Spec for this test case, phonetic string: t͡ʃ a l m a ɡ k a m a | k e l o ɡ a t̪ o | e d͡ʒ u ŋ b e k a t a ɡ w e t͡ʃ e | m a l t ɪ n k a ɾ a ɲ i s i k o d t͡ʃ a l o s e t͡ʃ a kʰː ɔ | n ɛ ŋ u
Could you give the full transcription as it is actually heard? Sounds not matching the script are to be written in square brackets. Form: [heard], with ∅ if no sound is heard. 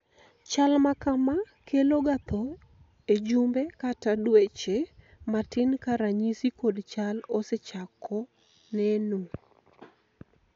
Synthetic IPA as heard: t͡ʃ a l m a [∅] k a m a | k e l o ɡ a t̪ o | e d͡ʒ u [m] b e k a t a [d] w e t͡ʃ e | m a [∅] t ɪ n k a ɾ a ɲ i s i k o d t͡ʃ a l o s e t͡ʃ a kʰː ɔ | n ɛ [n] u